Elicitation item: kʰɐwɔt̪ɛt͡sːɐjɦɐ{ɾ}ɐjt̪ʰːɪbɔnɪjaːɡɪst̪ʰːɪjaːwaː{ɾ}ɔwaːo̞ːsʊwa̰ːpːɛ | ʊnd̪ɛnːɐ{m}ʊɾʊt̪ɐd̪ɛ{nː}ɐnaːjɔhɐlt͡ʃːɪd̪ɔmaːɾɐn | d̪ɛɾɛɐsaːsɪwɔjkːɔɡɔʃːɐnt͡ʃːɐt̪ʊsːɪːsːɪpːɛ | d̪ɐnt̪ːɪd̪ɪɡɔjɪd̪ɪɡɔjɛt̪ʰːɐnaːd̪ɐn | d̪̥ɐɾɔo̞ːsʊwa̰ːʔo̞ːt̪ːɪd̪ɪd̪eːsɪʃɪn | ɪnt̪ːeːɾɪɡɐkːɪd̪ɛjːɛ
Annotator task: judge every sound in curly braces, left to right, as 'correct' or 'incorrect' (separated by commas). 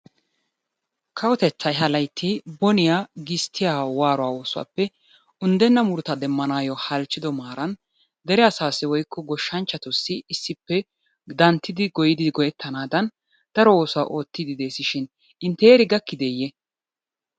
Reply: incorrect, correct, correct, incorrect